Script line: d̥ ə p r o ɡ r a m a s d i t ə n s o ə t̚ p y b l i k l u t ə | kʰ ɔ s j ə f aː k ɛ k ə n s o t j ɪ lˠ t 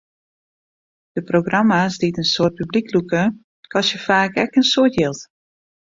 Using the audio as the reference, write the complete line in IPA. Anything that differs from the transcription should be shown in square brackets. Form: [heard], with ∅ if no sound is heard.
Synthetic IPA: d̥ ə p r o ɡ r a m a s d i t ə n s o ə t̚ p y b l i k l u [k] ə | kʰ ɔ s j ə f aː k ɛ k ə n s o t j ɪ lˠ t